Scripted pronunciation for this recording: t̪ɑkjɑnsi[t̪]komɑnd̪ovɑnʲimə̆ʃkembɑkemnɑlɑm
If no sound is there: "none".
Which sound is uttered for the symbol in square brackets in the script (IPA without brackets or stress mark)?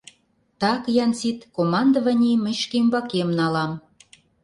t̪